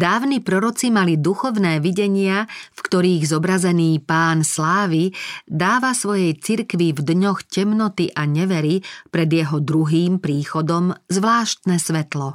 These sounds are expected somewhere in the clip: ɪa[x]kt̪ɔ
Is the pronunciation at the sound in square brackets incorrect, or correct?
incorrect